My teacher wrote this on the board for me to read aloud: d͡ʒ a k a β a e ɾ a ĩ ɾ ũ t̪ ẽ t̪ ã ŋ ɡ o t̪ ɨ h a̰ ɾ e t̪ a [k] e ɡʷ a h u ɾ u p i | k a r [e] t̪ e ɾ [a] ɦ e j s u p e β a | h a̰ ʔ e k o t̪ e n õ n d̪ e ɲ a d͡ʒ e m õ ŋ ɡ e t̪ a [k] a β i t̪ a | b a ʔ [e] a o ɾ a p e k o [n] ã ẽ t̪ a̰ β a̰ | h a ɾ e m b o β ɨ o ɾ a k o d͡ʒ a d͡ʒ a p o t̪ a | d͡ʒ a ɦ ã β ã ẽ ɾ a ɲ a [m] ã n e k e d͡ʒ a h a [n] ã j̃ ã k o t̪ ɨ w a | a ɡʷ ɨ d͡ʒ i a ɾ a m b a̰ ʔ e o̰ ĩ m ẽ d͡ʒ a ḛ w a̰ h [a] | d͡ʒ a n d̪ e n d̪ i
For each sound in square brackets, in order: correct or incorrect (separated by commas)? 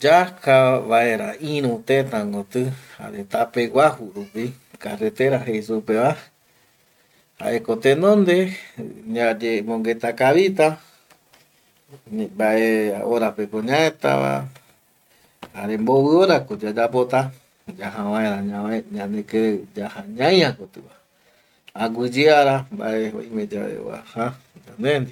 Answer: incorrect, correct, correct, correct, correct, incorrect, incorrect, incorrect, correct